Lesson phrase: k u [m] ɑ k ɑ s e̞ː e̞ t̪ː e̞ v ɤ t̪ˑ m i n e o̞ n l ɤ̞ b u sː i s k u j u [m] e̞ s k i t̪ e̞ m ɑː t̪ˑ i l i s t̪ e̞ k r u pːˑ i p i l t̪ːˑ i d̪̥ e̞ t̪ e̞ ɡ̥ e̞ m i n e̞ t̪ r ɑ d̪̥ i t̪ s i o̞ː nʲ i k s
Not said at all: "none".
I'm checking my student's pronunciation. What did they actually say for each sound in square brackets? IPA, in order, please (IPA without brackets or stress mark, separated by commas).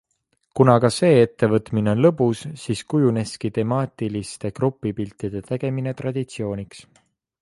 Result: n, n